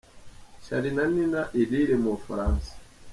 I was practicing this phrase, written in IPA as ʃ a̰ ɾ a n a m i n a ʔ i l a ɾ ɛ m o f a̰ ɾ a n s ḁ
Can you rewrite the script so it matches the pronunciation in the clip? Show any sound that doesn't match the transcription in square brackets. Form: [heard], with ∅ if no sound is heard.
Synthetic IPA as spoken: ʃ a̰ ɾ [i] n a [n] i n a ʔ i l [i] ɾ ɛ m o f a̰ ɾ a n s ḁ